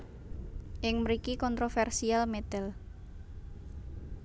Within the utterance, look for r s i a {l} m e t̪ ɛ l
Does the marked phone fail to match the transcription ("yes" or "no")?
no